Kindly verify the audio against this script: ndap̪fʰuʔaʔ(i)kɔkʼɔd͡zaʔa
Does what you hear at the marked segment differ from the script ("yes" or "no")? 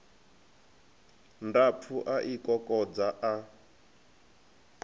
no